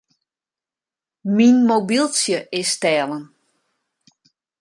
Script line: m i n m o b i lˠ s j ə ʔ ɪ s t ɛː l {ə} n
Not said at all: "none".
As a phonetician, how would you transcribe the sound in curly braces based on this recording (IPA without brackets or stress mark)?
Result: ə